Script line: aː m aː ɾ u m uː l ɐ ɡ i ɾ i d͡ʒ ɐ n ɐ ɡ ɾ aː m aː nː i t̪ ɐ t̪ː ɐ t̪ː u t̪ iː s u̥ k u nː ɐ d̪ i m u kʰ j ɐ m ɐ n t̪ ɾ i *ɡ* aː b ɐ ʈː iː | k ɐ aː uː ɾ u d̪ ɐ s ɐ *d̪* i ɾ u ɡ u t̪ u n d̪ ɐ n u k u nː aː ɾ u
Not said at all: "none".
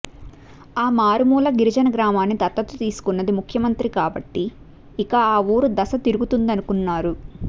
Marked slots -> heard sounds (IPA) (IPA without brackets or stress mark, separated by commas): k, t̪